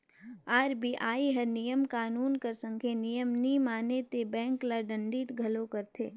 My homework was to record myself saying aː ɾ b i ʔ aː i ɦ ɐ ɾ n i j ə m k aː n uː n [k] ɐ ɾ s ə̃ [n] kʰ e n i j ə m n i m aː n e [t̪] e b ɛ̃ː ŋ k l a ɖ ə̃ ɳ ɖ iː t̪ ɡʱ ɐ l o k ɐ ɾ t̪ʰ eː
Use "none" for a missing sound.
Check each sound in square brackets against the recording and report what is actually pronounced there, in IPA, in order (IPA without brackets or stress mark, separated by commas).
k, ŋ, t̪